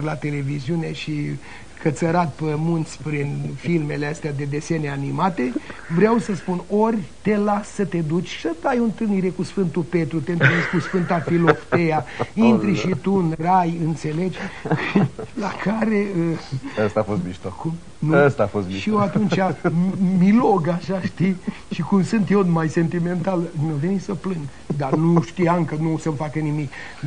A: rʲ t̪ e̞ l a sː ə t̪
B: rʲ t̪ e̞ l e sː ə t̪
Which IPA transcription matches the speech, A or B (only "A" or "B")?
A